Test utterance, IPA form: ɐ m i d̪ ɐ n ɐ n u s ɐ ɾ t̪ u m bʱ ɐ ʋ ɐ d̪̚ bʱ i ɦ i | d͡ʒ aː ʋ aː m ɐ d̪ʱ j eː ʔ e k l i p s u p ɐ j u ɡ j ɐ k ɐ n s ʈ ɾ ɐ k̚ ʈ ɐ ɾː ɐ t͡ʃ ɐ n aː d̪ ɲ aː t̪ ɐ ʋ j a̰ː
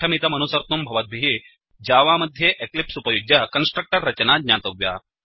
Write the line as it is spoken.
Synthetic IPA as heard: ɐ m i t̪ ɐ m ɐ n u s ɐ ɾ t̪ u m bʱ ɐ ʋ ɐ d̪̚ bʱ i ɦ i | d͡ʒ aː ʋ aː m ɐ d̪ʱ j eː ʔ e k l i p s u p ɐ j u ɡ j ɐ k ɐ n s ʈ ɾ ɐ k̚ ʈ ɐ ɾː ɐ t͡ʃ ɐ n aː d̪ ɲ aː t̪ ɐ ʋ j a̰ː